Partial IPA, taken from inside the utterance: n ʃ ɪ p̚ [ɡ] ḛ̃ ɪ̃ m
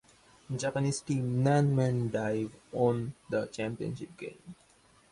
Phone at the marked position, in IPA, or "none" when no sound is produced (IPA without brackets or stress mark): ɡ